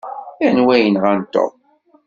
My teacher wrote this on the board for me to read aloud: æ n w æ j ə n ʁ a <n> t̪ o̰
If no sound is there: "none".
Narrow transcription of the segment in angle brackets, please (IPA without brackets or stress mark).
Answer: n